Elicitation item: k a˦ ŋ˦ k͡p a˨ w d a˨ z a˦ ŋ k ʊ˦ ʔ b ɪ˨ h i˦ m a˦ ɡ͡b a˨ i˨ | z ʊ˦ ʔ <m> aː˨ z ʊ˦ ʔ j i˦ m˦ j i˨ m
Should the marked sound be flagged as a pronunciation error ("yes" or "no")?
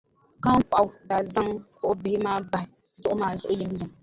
no